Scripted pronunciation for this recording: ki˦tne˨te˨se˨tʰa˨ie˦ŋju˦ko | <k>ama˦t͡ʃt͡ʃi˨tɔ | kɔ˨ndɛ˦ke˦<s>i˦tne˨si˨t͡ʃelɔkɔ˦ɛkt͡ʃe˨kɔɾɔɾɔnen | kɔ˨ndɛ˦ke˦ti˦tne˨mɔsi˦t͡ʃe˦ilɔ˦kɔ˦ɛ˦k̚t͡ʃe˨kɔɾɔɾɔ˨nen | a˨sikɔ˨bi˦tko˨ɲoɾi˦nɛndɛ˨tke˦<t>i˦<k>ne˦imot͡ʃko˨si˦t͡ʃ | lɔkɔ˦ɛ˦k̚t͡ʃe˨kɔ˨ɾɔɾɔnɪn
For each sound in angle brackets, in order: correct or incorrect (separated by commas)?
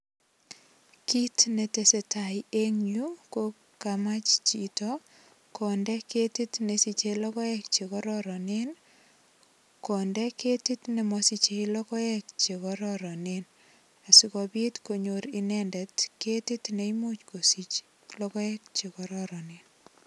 correct, incorrect, correct, incorrect